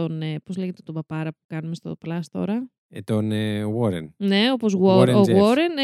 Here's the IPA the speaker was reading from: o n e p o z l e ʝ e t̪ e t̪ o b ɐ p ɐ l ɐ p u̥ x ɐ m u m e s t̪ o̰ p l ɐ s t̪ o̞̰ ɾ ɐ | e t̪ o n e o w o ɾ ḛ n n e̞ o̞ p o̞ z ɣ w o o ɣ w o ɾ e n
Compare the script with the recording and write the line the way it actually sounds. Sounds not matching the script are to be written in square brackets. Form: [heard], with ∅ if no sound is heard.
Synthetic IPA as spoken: o n e p o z l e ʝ e t̪ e t̪ o b ɐ p ɐ [ɾ] ɐ p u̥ [k] ɐ [n] u m e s t̪ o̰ p l ɐ s t̪ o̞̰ ɾ ɐ | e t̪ o n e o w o ɾ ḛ n n e̞ o̞ p o̞ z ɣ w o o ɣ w o ɾ e n